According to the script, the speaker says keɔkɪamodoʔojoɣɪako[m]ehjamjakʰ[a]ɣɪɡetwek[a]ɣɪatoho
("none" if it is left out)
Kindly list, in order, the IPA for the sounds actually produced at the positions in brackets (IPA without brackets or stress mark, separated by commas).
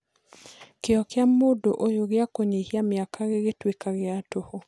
ɲ, a, a